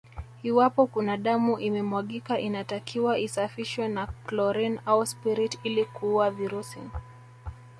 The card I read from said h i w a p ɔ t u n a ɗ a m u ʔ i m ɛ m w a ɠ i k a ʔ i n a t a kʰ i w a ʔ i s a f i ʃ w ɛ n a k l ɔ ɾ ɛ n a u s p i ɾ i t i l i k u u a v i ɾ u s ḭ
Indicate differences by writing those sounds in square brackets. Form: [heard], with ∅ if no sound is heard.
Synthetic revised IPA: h i w a p ɔ [k] u n a ɗ a m u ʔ i m ɛ m w a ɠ i k a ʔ i n a t a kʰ i w a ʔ i s a f i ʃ w ɛ n a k l ɔ ɾ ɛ n a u s p i ɾ i t i l i k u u a v i ɾ u s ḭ